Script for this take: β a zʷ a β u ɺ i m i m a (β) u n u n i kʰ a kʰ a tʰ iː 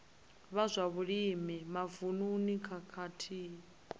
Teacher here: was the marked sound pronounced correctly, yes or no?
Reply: no